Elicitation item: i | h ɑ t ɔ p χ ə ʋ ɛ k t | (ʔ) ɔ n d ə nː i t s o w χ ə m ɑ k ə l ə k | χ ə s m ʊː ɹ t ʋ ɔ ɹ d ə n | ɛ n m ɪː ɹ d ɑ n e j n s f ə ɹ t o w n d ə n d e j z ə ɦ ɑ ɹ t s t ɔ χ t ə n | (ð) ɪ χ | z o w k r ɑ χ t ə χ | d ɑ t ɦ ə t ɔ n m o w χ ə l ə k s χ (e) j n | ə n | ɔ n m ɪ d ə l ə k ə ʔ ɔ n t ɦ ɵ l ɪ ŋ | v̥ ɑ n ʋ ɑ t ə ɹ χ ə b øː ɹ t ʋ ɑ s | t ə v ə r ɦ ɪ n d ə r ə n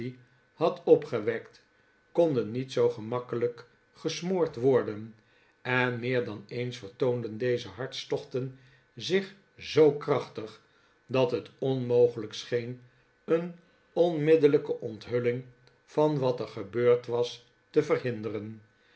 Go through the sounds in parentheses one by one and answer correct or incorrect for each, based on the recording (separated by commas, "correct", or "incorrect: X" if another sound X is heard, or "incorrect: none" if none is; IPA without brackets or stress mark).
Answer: incorrect: k, incorrect: z, correct